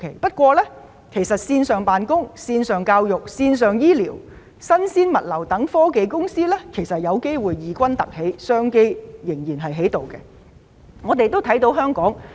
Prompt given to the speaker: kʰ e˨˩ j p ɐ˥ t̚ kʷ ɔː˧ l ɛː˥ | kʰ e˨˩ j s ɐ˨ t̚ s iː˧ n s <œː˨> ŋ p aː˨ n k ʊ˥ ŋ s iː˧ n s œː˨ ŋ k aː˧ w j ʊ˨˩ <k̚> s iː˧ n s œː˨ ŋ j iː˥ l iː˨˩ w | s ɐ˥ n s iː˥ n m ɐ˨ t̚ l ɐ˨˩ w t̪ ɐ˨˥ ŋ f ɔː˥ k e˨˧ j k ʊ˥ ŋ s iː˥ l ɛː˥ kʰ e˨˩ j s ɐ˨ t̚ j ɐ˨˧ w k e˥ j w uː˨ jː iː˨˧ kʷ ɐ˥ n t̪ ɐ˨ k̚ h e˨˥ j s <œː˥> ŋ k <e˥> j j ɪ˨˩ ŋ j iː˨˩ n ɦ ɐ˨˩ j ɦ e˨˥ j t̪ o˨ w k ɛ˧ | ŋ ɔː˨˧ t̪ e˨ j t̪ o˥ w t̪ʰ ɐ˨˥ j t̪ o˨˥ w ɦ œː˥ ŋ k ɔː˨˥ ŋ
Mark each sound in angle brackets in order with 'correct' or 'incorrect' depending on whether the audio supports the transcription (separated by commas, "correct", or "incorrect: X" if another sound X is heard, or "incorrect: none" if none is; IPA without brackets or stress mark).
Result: correct, correct, correct, correct